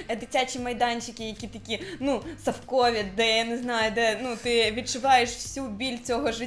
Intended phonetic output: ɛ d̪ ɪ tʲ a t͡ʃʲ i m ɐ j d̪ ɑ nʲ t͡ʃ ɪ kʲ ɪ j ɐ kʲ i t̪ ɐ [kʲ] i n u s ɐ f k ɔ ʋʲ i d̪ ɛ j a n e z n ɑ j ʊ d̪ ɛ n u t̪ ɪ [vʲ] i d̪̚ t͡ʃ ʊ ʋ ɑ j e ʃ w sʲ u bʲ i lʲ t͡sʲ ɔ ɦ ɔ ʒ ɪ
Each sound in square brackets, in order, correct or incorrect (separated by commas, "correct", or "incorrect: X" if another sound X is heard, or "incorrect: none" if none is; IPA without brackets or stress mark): correct, incorrect: ʋʲ